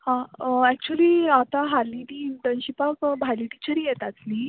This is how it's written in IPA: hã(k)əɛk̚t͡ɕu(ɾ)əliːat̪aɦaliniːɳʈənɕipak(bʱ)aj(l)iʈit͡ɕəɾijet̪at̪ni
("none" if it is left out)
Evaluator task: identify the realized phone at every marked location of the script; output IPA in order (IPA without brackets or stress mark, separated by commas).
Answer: none, none, bʱ, l